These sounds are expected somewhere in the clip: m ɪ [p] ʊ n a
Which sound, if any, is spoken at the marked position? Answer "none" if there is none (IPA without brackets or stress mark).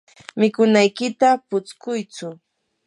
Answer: k